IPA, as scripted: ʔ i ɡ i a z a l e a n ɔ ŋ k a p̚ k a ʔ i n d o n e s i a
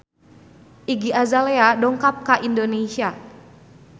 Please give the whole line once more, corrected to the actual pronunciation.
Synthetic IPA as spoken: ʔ i ɡ i a z a l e a d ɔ ŋ k a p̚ k a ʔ i n d o n e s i a